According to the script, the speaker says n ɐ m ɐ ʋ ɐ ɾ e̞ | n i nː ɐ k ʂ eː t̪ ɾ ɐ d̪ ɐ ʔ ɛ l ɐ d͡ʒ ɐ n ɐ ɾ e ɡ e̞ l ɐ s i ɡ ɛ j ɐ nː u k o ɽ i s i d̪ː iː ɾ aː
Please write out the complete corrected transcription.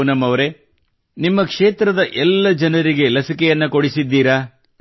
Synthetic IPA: n ɐ m ɐ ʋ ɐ ɾ e̞ | n i mː ɐ k ʂ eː t̪ ɾ ɐ d̪ ɐ ʔ ɛ lː ɐ d͡ʒ ɐ n ɐ ɾ i ɡ e̞ l ɐ s i k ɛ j ɐ nː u k o ɽ i s i d̪ː iː ɾ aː